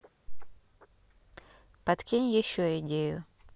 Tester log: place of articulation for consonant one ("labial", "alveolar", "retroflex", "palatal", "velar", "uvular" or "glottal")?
labial